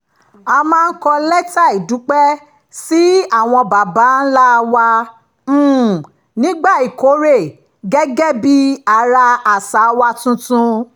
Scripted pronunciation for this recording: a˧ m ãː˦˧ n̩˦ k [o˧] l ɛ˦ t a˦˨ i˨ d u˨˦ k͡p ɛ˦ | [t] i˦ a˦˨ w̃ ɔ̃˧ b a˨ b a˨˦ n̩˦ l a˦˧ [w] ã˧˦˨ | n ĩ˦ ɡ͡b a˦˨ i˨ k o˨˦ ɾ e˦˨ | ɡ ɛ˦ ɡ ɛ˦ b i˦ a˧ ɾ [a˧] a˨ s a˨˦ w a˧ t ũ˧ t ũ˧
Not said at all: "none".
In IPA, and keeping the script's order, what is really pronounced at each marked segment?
ɔ˧, s, w, a˧

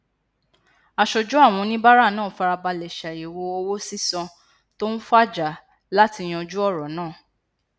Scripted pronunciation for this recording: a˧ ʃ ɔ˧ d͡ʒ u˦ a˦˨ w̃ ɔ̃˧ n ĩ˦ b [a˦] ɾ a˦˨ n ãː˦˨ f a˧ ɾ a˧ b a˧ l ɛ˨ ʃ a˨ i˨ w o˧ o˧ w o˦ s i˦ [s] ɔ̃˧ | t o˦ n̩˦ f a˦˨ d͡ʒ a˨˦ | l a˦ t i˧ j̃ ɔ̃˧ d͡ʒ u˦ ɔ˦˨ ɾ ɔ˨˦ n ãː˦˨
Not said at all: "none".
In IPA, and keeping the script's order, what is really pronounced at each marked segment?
a˦, s

